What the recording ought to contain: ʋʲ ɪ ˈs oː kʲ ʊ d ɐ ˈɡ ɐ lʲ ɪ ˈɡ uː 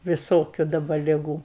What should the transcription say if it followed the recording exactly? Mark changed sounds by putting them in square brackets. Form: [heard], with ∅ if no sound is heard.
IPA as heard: ʋʲ ɪ ˈs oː kʲ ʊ d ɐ [ˈb] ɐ lʲ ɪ ˈɡ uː